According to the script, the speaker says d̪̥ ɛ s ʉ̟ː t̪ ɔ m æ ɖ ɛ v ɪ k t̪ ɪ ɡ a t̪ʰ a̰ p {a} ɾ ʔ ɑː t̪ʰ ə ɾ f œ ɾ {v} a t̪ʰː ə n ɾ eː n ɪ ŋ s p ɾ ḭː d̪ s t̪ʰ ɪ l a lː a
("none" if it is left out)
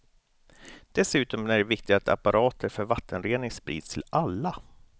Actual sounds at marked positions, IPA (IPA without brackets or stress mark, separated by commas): a, v